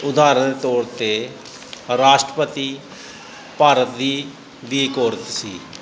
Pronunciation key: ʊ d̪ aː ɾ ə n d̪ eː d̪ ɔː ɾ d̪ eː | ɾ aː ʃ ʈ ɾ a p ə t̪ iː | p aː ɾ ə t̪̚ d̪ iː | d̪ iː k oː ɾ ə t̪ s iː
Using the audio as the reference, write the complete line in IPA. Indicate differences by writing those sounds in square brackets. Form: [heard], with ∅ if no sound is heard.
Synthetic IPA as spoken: ʊ d̪ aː ɾ ə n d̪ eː [t̪] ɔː ɾ [t̪] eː | ɾ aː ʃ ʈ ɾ [ə] p ə t̪ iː | p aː ɾ ə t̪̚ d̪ iː | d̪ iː k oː ɾ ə t̪ s iː